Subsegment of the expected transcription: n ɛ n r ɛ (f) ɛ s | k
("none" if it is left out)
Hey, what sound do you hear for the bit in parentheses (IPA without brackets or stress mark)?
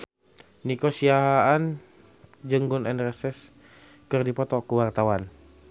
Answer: s